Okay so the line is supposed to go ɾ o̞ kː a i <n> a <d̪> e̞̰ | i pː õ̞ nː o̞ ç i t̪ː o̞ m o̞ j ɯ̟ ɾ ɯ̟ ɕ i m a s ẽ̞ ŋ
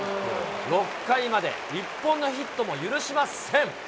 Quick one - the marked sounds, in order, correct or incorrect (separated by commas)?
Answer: incorrect, correct